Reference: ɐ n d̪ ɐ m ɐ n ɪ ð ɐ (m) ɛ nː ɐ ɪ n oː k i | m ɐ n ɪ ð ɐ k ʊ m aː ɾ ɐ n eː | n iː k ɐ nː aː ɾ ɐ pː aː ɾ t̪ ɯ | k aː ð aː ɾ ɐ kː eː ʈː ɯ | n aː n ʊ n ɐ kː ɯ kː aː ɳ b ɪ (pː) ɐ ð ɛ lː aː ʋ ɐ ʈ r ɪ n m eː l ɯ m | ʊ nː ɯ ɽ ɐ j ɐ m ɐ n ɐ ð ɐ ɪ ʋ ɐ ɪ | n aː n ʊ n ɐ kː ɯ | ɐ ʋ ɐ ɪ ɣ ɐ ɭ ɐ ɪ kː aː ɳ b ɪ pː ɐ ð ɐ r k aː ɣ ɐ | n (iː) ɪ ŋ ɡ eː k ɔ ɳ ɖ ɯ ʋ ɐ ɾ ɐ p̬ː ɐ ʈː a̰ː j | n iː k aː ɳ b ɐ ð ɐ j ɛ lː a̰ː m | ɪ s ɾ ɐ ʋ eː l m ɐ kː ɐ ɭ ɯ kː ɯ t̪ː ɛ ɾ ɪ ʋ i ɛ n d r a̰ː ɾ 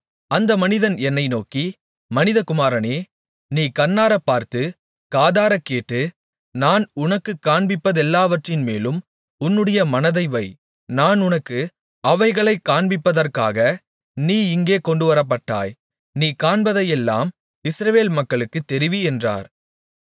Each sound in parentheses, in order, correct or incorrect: incorrect: n, correct, correct

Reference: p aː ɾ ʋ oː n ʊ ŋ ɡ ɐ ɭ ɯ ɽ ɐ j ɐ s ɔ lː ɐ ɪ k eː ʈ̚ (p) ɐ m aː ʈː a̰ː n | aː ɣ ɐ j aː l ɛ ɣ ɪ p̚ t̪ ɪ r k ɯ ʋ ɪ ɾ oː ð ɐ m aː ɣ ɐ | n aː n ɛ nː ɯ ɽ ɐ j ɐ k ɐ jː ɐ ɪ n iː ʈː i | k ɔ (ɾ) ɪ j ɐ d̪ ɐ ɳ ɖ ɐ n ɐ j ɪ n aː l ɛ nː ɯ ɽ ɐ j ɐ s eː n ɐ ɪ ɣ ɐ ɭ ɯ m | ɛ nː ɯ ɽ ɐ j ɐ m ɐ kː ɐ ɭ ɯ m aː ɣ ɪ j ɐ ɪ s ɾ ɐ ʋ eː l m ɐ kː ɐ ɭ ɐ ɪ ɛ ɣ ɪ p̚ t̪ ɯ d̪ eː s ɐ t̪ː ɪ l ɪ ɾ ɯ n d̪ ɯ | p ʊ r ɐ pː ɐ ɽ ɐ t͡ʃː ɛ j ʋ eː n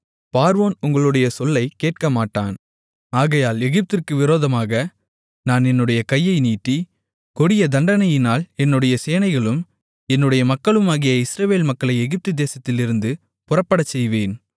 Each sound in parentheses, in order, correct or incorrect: incorrect: k, incorrect: ɽ

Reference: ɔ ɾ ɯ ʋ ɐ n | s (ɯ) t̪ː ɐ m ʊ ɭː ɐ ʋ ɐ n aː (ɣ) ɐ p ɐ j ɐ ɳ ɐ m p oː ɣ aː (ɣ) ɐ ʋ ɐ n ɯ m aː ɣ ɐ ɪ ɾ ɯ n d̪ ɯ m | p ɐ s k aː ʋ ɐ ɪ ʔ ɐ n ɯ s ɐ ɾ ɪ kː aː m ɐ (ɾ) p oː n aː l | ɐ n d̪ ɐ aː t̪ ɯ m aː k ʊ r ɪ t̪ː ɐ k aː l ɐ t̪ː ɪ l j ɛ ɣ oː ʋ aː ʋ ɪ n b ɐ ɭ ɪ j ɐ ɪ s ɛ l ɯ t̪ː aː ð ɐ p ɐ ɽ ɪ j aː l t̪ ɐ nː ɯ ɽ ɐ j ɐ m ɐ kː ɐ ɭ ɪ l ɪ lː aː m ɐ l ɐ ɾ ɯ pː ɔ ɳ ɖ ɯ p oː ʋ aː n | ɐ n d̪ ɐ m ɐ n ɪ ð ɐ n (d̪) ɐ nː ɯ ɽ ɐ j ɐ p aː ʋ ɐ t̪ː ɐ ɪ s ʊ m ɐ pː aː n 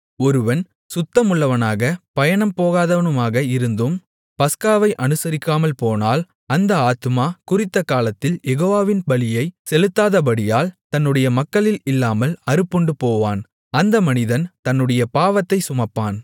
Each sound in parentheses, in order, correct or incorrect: incorrect: ʊ, correct, incorrect: ð, incorrect: l, incorrect: t̪

